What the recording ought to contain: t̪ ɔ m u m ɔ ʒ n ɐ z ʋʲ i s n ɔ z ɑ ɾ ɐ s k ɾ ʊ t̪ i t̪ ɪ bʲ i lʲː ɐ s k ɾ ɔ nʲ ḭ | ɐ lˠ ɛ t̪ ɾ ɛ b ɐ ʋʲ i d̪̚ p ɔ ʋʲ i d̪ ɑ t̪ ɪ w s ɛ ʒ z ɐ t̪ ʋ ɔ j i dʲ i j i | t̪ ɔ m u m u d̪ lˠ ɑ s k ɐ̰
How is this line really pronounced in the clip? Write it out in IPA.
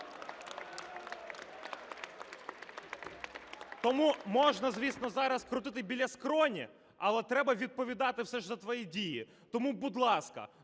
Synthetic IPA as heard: t̪ ɔ m u m ɔ ʒ n ɐ z ʋʲ i s n ɔ z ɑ ɾ ɐ s k ɾ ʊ t̪ ɪ t̪ ɪ bʲ i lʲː ɐ s k ɾ ɔ nʲ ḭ | ɐ lˠ ɛ t̪ ɾ ɛ b ɐ ʋʲ i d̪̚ p ɔ ʋʲ i d̪ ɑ t̪ ɪ w s ɛ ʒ z ɐ t̪ ʋ ɔ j i dʲ i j i | t̪ ɔ m u b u d̪ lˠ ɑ s k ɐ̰